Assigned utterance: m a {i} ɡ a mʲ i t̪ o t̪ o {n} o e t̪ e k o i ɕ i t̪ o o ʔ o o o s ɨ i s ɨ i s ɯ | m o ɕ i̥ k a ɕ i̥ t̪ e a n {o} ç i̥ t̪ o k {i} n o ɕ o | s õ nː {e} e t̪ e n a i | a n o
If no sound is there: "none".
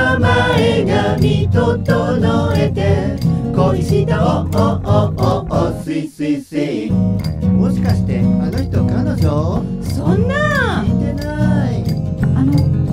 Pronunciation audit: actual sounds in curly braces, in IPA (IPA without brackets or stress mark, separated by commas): e, n, o, a, a